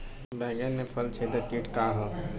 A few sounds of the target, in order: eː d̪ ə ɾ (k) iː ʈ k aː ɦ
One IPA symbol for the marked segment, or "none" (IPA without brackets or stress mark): k